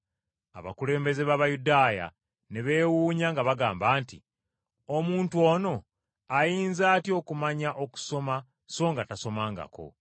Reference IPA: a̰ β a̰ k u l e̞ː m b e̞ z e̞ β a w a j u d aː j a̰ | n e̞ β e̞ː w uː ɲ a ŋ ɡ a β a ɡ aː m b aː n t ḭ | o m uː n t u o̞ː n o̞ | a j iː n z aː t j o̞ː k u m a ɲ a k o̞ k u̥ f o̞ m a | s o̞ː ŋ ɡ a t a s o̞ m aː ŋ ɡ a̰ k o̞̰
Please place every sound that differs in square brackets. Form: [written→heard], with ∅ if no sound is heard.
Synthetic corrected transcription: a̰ β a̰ k u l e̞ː m b e̞ z e̞ β a [w→β] a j u d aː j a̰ | n e̞ β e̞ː w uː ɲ a ŋ ɡ a β a ɡ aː m b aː n t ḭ | o m uː n t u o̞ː n o̞ | a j iː n z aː t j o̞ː k u m a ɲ a [k→ʔ] o̞ k u̥ [f→s] o̞ m a | s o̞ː ŋ ɡ a t a s o̞ m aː ŋ ɡ a̰ k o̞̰